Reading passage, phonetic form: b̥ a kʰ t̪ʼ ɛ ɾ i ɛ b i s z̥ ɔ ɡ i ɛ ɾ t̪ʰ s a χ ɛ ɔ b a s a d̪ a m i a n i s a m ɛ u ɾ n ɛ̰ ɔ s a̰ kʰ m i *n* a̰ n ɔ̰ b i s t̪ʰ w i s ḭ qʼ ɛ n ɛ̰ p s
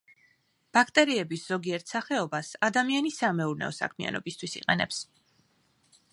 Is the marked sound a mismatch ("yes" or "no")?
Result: yes